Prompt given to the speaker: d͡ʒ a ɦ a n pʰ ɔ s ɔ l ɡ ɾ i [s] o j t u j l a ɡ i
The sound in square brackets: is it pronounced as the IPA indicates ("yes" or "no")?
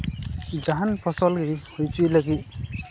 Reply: no